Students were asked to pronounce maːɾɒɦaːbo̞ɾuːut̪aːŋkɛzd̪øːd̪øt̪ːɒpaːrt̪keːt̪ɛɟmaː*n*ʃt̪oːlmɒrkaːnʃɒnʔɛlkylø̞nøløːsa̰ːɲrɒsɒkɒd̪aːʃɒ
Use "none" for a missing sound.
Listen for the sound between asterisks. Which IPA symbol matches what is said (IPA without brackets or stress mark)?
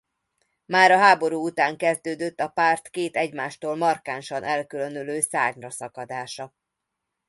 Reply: none